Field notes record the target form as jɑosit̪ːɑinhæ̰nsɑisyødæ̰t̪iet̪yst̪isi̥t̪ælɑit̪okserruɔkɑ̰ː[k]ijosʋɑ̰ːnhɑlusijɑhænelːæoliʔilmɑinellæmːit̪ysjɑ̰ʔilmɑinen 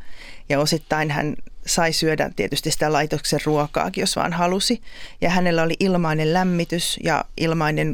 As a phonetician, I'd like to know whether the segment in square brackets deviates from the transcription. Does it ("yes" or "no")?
no